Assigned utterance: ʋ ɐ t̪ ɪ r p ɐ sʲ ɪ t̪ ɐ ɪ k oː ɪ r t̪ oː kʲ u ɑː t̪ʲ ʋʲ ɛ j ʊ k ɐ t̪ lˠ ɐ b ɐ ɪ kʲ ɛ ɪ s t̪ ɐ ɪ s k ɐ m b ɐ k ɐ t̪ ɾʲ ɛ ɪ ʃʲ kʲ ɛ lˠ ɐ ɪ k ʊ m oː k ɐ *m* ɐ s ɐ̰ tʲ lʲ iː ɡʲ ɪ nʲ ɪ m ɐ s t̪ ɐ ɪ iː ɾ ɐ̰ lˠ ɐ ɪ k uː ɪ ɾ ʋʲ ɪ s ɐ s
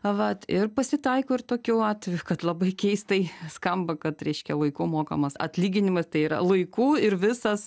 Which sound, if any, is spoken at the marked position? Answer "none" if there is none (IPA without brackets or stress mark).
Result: m